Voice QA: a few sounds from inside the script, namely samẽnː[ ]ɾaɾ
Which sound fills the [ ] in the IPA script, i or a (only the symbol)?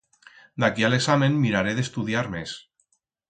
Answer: i